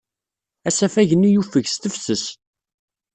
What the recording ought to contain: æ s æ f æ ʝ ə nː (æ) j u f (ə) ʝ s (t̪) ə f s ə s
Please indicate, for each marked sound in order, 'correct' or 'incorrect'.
incorrect: i, correct, correct

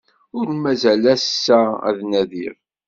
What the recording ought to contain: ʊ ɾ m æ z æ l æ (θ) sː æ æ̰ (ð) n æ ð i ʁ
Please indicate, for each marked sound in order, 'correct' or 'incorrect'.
incorrect: s, correct

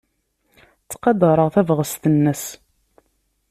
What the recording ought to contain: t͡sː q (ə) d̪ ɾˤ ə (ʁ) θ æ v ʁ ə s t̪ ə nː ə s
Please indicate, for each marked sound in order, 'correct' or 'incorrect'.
incorrect: ɑ, correct

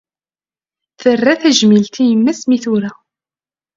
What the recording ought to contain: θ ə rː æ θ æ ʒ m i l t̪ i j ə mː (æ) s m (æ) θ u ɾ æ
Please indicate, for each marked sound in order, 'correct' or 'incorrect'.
correct, incorrect: i

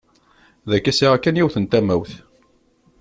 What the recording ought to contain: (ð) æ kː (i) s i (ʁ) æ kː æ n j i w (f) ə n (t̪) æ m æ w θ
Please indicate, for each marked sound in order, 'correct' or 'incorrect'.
correct, incorrect: æ, correct, incorrect: θ, correct

